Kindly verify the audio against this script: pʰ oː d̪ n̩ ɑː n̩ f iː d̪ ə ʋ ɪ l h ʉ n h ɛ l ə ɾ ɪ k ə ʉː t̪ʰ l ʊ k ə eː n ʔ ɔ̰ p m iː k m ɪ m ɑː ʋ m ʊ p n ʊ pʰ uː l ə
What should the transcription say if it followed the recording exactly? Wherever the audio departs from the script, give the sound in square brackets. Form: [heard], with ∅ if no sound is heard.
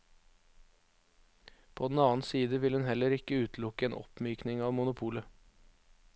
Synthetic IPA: pʰ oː d̪ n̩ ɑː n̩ [s] iː d̪ ə ʋ ɪ l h ʉ n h ɛ l ə ɾ ɪ k ə ʉː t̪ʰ l ʊ k ə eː n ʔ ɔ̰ p m [yː] k [n] ɪ [ŋ] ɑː ʋ m ʊ [∅] n ʊ pʰ uː l ə